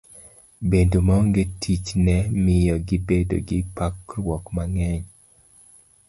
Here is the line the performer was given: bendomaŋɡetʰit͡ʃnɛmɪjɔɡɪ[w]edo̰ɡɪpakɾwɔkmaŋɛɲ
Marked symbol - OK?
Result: no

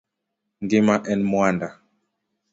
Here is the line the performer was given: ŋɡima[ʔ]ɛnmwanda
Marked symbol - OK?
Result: yes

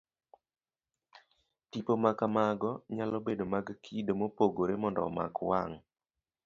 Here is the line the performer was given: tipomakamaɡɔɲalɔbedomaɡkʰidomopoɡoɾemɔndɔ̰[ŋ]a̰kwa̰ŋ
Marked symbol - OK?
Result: no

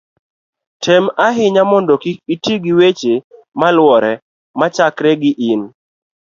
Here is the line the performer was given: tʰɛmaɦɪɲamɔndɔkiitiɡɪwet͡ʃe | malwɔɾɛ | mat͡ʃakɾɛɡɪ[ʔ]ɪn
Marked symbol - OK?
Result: yes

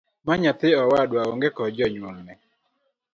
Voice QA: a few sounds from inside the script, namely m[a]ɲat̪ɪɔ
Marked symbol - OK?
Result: yes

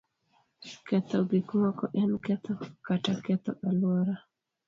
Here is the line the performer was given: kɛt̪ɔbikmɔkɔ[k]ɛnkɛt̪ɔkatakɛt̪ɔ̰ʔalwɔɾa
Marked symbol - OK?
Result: no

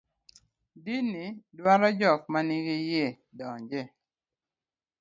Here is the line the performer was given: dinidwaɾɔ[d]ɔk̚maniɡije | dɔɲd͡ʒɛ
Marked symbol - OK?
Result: no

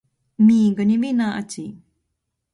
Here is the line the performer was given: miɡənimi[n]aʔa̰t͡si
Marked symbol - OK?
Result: yes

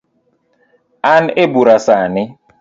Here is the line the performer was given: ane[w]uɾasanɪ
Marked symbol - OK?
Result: no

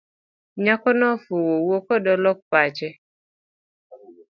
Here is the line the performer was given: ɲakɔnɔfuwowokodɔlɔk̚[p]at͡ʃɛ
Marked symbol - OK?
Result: yes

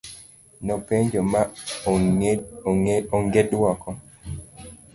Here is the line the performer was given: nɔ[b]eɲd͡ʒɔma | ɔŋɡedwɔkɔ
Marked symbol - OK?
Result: no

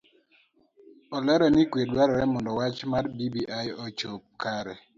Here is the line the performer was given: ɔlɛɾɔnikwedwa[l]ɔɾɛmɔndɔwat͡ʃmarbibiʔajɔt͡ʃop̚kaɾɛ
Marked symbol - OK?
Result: no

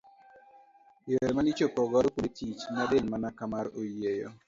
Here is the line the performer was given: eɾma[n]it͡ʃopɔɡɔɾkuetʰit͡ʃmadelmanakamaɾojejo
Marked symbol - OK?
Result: yes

